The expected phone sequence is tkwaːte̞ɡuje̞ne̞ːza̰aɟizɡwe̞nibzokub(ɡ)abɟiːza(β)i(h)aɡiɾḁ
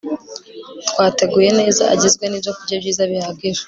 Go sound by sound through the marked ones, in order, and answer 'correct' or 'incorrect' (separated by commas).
incorrect, correct, correct